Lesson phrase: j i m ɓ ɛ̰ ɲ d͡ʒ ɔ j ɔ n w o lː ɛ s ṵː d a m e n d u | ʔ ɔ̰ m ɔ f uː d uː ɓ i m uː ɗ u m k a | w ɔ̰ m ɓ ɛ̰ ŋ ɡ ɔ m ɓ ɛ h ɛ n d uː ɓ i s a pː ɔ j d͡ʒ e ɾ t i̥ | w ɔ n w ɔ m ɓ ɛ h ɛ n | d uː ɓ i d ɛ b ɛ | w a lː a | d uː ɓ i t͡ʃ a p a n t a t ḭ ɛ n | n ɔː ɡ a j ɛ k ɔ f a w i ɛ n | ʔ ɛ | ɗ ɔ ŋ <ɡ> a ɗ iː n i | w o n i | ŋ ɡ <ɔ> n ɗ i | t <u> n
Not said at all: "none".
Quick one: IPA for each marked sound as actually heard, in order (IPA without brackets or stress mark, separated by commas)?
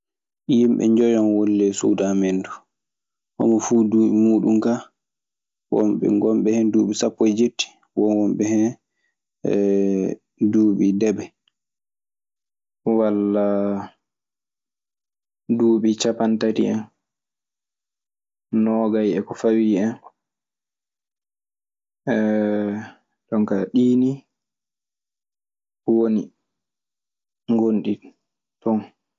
k, o, ɔ